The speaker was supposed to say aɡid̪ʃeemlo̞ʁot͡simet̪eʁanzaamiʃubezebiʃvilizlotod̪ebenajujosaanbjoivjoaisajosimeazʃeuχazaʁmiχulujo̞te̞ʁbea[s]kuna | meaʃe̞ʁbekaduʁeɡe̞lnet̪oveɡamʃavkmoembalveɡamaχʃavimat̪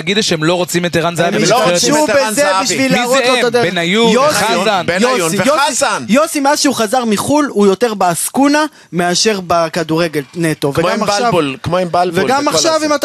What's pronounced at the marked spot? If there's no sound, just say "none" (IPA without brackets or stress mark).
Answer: s